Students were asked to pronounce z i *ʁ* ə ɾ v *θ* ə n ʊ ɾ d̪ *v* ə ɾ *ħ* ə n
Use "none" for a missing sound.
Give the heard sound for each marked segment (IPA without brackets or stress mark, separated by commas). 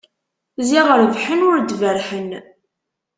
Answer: ʁ, ħ, v, ħ